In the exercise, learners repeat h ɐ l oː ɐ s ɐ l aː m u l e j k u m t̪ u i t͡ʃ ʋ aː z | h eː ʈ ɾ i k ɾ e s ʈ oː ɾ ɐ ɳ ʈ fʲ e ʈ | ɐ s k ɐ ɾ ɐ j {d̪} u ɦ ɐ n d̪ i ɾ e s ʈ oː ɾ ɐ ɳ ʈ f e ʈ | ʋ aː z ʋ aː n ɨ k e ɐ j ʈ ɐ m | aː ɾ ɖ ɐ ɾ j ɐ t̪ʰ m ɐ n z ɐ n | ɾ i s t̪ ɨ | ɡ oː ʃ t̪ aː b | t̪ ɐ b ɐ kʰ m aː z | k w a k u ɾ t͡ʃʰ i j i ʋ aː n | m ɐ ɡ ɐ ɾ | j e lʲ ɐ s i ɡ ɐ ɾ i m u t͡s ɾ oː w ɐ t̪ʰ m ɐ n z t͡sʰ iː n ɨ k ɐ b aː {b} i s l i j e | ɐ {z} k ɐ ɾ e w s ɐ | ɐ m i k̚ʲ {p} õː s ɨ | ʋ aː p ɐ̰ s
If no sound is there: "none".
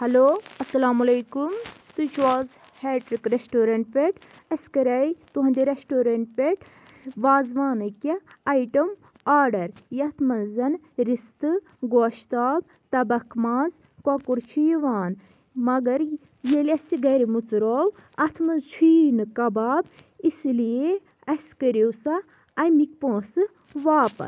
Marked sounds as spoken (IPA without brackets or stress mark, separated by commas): t̪, b, s, p